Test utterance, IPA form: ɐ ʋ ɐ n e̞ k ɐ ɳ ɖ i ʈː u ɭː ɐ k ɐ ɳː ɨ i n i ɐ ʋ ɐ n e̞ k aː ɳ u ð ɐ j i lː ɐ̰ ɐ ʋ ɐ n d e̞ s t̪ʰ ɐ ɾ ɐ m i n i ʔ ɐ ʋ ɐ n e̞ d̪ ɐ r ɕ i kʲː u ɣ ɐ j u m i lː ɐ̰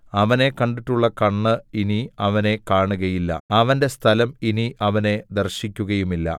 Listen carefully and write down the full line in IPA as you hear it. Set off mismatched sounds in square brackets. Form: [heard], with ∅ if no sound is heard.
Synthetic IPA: ɐ ʋ ɐ n e̞ k ɐ ɳ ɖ i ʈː u ɭː ɐ k ɐ ɳː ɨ i n i ɐ ʋ ɐ n e̞ k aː ɳ u [ɣ] ɐ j i lː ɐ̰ ɐ ʋ ɐ n d e̞ s t̪ʰ ɐ [l] ɐ m i n i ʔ ɐ ʋ ɐ n e̞ d̪ ɐ r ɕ i kʲː u ɣ ɐ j u m i lː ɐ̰